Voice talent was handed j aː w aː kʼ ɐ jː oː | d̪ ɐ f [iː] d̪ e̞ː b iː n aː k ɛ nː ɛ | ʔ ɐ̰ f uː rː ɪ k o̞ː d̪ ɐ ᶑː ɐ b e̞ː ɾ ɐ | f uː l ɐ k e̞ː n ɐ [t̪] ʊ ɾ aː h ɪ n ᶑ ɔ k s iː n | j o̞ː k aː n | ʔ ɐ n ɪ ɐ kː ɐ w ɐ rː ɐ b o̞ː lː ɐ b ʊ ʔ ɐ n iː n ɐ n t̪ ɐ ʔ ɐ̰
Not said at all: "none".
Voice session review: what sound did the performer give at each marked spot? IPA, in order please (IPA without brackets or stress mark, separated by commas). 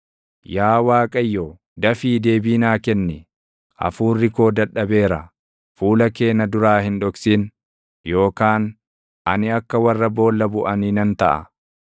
iː, d̪